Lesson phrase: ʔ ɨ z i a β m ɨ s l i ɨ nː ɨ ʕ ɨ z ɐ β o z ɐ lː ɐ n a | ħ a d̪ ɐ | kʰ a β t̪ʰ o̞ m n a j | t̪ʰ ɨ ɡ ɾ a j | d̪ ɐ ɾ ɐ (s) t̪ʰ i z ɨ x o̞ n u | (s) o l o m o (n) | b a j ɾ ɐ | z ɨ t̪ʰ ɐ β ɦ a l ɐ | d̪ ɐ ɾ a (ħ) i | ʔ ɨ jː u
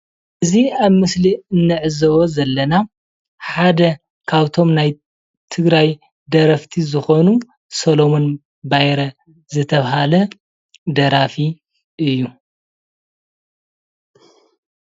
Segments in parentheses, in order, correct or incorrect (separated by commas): incorrect, correct, correct, incorrect